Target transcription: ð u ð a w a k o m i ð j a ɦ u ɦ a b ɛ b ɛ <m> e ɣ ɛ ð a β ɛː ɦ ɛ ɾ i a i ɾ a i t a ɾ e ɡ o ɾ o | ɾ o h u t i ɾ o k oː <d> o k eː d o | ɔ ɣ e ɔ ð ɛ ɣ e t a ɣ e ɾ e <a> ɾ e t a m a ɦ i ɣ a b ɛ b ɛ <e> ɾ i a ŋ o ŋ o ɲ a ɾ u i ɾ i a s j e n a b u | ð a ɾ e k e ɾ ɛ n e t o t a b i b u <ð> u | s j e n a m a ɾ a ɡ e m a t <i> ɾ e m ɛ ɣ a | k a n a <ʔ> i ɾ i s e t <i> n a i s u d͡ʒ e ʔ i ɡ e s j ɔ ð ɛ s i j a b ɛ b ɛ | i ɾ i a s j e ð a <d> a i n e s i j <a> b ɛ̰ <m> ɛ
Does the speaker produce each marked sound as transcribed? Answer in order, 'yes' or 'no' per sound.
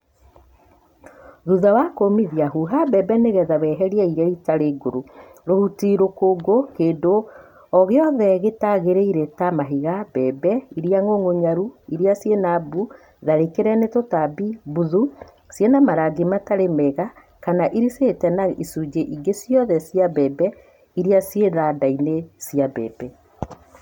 no, no, no, no, yes, no, yes, no, yes, yes, no

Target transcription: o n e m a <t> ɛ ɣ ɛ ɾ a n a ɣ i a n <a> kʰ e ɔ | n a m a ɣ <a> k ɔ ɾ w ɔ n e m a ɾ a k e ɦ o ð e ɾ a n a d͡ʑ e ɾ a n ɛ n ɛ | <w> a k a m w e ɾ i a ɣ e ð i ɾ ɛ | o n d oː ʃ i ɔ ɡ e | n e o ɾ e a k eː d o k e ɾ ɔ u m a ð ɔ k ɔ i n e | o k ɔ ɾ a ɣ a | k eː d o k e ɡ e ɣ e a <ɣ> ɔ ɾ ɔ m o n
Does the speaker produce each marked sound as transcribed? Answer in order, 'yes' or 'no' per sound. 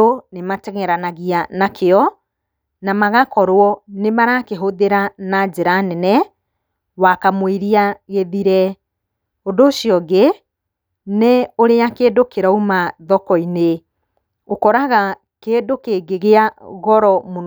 yes, yes, yes, yes, yes

